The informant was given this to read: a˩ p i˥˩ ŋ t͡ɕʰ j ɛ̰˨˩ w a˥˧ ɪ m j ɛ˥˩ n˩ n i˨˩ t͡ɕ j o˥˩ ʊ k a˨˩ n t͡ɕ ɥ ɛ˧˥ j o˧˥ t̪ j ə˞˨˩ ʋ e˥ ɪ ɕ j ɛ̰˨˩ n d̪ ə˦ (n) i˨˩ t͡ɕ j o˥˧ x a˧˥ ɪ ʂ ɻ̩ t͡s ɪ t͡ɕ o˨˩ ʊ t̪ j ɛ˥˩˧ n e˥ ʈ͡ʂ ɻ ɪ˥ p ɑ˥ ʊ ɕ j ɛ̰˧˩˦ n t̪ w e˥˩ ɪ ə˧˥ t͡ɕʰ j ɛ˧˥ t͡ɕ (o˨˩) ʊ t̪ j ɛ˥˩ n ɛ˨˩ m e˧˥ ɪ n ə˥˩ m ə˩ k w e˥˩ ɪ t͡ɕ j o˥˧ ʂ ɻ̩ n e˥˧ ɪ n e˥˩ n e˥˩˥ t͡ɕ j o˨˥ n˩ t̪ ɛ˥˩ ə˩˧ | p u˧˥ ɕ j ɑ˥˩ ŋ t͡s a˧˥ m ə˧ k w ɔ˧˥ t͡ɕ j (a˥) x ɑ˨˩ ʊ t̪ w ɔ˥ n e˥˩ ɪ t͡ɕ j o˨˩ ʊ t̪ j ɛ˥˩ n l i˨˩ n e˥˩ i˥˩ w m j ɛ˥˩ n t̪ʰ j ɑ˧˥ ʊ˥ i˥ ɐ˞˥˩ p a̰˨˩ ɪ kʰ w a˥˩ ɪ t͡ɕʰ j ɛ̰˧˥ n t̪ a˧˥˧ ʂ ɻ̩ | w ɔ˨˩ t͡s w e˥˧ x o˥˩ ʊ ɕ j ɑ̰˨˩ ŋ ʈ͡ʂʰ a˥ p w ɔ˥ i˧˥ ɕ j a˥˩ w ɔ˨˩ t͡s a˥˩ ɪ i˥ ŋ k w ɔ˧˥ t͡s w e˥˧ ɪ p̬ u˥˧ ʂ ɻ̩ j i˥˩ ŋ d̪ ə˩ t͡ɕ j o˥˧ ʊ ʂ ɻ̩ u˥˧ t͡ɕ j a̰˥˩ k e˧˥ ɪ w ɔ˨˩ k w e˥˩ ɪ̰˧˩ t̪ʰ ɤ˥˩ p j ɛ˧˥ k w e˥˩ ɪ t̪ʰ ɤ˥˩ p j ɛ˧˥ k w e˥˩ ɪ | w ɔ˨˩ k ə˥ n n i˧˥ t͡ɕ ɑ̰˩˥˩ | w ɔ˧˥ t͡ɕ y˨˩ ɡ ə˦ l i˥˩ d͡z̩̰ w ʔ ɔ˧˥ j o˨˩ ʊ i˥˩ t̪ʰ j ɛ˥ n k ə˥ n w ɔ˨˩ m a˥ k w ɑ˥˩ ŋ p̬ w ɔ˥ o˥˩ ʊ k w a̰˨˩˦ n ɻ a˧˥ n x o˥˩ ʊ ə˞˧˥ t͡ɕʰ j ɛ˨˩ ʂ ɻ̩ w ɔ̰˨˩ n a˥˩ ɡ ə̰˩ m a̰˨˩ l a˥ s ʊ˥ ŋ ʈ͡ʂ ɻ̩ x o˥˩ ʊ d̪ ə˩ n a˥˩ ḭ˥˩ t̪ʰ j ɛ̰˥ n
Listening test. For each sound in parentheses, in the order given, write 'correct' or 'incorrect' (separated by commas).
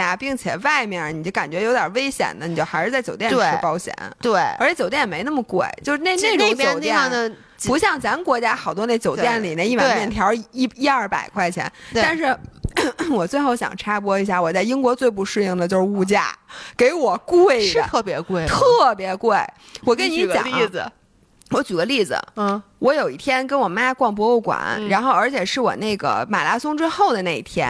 correct, correct, correct